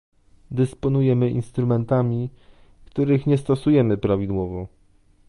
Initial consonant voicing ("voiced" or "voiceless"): voiced